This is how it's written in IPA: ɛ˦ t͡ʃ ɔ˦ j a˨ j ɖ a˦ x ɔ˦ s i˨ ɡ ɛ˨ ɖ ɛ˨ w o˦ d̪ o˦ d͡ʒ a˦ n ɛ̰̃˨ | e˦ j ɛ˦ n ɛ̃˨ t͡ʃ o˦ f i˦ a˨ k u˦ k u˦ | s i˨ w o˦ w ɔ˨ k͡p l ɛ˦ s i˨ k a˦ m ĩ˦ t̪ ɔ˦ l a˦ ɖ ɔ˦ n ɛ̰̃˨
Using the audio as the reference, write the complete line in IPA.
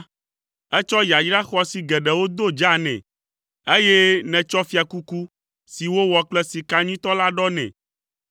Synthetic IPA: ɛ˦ t͡ʃ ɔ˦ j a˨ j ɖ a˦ x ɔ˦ s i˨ ɡ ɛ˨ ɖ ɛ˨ w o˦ d̪ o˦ d͡ʒ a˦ n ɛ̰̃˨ | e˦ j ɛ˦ n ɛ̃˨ t͡ʃ ɔ˦ f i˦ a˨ k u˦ k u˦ | s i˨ w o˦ w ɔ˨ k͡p l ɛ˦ s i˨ k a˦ ɲ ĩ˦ t̪ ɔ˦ l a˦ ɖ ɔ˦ n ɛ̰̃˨